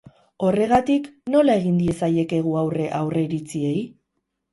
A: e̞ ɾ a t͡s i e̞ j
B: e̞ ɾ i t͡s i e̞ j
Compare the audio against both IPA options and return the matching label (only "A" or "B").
B